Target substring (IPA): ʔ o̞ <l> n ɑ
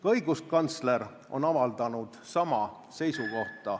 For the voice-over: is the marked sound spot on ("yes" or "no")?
no